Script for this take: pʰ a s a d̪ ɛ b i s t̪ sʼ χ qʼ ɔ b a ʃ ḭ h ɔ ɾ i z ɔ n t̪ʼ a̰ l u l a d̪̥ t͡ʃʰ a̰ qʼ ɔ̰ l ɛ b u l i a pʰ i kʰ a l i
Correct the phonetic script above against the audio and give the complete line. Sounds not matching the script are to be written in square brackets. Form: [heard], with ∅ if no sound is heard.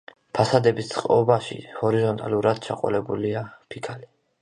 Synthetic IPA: pʰ a s a d̪ ɛ b i s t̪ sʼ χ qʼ ɔ b a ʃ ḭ h ɔ ɾ i z ɔ n t̪ʼ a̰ l u [ɾ] a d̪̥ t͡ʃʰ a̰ qʼ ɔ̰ l ɛ b u l i a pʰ i kʰ a l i